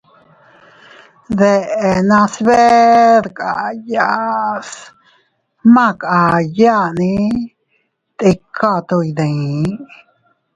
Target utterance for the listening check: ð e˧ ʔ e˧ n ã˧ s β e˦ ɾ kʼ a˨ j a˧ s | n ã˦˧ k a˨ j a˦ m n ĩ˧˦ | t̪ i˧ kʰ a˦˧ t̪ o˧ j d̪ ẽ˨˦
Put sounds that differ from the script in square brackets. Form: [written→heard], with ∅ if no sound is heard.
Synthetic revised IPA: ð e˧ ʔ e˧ n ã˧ s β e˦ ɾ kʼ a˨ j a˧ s | [n→m] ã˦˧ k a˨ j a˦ [m→∅] n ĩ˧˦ | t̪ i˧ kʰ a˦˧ t̪ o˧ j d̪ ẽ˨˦